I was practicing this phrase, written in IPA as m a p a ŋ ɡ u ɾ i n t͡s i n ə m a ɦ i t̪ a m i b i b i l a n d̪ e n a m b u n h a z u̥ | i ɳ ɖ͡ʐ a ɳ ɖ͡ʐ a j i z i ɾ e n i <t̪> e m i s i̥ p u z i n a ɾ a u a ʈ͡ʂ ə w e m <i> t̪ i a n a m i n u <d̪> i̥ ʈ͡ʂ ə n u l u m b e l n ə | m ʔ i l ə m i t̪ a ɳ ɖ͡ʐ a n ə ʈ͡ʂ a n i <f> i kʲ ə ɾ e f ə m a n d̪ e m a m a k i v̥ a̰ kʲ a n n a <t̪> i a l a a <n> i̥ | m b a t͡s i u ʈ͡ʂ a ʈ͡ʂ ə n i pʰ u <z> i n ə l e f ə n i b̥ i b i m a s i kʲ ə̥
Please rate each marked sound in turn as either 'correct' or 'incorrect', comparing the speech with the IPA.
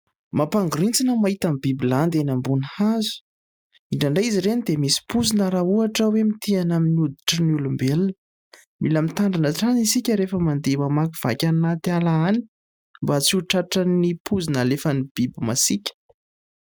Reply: incorrect: d̪, correct, correct, incorrect: s, correct, correct, correct

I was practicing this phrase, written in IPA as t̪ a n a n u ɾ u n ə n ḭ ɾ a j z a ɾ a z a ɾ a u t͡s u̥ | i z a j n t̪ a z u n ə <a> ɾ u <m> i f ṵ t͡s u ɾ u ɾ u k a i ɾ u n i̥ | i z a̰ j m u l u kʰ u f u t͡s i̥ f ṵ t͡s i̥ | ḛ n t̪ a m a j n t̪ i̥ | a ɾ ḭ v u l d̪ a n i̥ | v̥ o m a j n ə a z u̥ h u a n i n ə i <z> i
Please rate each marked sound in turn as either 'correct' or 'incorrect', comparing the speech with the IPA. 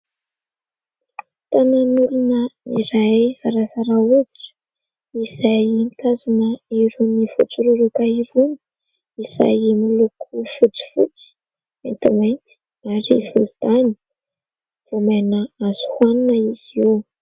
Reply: incorrect: i, incorrect: n, correct

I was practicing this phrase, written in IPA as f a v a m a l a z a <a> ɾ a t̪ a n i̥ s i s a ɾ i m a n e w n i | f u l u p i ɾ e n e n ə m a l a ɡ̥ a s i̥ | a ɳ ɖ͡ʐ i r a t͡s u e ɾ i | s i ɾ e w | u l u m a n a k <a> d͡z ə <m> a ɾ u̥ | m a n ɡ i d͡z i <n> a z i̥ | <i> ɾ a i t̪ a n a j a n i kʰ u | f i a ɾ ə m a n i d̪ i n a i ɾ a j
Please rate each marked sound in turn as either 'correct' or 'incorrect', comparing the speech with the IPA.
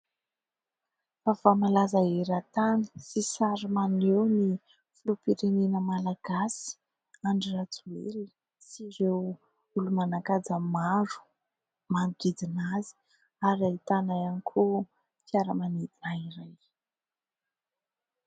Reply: incorrect: e, correct, correct, correct, incorrect: a

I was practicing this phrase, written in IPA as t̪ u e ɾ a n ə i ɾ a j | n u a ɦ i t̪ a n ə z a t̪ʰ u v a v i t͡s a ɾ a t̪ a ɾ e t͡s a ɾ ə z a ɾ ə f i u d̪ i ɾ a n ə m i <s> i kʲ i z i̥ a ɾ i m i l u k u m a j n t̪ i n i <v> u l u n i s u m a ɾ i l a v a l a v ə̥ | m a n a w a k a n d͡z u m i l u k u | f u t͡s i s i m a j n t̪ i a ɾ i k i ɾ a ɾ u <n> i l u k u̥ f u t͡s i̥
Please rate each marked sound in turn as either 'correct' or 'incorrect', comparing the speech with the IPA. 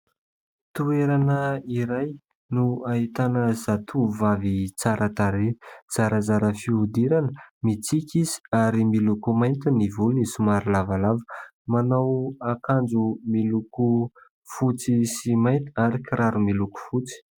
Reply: incorrect: t͡s, correct, incorrect: m

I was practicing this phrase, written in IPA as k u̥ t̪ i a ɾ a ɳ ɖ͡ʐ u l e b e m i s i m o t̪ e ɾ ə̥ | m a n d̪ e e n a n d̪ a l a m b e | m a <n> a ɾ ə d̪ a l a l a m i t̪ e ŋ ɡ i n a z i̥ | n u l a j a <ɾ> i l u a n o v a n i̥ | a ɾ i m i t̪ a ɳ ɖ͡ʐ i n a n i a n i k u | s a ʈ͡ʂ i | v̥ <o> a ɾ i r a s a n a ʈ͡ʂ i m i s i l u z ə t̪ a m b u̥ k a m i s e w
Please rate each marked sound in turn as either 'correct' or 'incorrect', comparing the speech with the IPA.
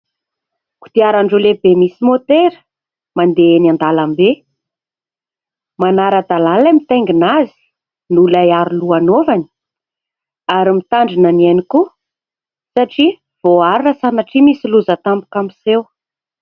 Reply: correct, correct, correct

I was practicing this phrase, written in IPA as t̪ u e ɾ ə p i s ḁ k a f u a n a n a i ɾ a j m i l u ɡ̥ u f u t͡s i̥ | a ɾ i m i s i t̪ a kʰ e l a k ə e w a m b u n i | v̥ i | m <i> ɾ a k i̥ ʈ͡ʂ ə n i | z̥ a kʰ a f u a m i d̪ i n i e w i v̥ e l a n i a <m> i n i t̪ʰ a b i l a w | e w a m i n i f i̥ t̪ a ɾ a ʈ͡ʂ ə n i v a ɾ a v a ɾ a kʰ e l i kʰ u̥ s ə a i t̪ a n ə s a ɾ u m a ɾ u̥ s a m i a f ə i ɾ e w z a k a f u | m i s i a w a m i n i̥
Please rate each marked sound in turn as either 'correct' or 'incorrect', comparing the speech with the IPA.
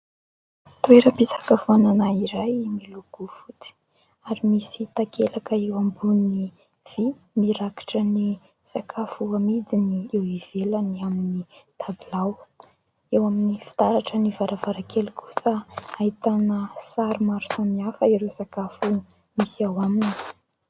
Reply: correct, correct

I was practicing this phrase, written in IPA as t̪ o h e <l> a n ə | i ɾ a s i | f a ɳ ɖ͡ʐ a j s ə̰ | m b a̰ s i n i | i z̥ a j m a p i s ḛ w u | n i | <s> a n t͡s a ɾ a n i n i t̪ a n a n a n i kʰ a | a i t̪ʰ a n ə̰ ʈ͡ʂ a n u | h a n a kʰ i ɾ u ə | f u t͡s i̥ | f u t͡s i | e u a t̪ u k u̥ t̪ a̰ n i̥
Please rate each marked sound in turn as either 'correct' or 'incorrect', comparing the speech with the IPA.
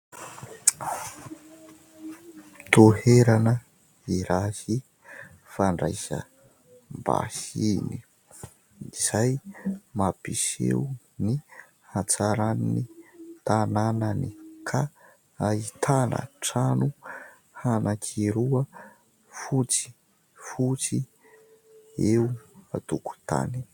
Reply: incorrect: ɾ, incorrect: h

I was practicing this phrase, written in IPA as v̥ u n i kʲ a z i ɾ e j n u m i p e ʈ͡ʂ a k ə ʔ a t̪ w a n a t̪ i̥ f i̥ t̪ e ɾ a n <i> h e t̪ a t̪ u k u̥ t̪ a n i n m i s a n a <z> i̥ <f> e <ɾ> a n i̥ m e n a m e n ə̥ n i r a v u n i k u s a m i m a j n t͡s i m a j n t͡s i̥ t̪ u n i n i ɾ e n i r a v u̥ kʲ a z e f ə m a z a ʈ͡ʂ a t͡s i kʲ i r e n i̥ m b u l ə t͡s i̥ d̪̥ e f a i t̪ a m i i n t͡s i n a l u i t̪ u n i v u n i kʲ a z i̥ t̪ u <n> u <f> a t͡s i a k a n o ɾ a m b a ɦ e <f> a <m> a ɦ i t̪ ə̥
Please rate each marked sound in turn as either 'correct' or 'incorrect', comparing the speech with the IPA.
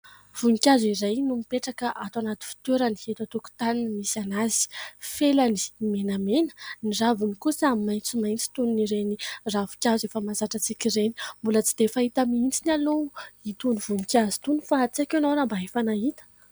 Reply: correct, correct, correct, incorrect: l, correct, correct, correct, incorrect: n

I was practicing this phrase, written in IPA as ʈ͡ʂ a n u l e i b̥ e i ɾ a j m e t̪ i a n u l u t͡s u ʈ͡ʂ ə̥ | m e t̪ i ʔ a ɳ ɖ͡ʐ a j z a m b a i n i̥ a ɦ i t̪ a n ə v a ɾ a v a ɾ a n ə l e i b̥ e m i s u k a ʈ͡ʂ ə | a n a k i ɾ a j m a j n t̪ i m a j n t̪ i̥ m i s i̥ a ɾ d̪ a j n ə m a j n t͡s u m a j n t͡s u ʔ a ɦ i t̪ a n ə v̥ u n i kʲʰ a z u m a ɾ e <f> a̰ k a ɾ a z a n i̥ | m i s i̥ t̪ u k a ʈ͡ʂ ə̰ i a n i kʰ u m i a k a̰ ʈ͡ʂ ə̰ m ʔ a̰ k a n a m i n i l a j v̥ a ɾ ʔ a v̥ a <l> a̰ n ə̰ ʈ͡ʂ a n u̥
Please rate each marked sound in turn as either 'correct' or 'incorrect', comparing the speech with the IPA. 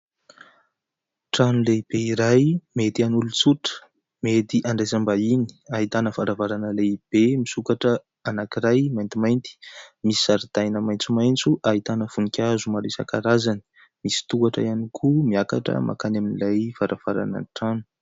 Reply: incorrect: s, incorrect: ɾ

